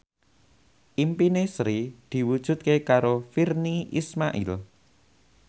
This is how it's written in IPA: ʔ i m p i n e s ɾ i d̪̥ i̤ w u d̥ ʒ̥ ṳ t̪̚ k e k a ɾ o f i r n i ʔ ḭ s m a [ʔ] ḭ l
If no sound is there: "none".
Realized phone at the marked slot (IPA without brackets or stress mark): ʔ